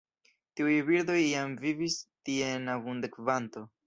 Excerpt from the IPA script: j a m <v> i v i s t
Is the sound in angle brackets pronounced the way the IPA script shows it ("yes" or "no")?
yes